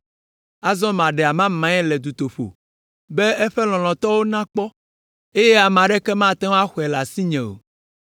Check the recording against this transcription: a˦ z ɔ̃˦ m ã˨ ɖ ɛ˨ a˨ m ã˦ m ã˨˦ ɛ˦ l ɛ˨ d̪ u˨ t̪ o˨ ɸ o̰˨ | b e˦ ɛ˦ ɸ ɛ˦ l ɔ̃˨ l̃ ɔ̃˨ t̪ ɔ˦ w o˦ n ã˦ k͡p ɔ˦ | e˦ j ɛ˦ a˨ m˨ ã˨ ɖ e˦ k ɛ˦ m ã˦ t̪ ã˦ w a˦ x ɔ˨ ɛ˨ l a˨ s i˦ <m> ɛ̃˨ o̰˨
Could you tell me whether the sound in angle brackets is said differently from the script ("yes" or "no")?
yes